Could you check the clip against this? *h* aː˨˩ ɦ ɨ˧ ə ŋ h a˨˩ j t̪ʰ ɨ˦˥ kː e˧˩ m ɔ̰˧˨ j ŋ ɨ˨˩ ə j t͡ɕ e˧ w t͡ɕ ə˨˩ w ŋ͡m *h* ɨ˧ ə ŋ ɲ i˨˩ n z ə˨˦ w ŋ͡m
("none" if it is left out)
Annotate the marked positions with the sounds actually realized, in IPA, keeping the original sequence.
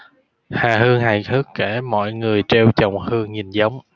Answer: h, h

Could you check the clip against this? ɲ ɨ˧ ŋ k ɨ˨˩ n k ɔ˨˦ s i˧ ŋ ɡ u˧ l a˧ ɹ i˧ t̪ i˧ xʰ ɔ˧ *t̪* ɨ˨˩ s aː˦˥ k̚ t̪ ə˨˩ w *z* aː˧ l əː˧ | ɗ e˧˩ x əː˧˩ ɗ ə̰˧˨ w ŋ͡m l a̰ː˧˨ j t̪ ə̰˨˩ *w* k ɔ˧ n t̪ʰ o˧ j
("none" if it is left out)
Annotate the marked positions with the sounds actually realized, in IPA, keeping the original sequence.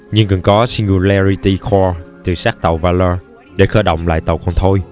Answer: t̪, v, w

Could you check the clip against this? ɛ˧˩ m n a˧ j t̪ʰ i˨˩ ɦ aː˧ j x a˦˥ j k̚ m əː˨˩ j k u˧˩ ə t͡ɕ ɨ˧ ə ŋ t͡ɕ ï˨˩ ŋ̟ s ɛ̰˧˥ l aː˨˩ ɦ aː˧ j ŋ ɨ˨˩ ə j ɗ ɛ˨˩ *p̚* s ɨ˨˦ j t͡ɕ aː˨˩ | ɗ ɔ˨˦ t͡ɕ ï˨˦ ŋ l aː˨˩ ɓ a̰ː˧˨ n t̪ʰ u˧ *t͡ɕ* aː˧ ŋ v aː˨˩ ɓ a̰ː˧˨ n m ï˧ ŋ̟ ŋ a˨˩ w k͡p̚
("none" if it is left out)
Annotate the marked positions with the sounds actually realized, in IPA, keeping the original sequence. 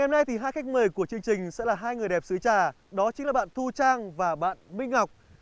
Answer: p̚, t͡ɕ

